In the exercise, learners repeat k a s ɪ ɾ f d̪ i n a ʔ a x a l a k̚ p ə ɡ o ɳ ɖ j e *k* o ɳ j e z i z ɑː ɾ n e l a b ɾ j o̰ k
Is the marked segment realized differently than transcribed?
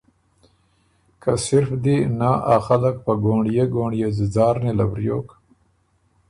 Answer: yes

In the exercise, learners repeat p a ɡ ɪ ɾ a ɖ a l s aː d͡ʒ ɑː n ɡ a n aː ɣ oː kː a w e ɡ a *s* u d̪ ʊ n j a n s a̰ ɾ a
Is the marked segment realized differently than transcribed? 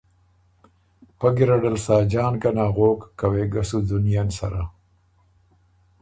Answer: no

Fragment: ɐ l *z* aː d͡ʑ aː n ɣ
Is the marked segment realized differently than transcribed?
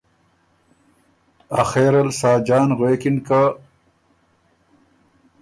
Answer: yes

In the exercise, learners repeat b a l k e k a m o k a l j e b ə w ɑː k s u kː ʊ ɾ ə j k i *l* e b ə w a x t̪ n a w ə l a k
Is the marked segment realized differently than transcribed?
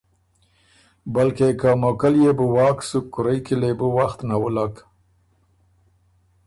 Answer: no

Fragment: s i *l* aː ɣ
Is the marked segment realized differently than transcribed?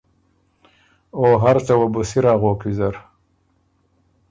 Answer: yes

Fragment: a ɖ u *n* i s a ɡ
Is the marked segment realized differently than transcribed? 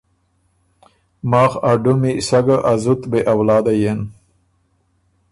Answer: yes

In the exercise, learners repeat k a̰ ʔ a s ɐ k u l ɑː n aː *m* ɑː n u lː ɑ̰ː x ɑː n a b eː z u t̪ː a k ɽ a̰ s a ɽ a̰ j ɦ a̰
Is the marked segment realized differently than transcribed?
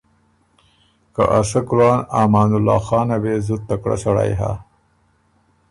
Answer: no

